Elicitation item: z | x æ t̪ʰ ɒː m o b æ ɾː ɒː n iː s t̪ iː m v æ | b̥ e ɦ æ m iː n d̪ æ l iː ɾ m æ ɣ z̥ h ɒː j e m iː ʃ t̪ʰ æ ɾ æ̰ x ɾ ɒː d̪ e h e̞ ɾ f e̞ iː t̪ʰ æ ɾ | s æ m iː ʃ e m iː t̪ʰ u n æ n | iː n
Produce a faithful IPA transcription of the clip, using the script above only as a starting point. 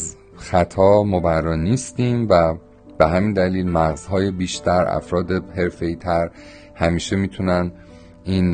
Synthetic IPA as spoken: z | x æ t̪ʰ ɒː m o b æ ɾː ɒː n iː s t̪ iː m v æ | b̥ e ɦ æ m iː n d̪ æ l iː l m æ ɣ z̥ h ɒː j e b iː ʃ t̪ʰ æ ɾ æ̰ f ɾ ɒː d̪ e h e̞ ɾ f e̞ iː t̪ʰ æ ɾ | h æ m iː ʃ e m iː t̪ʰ u n æ n | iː n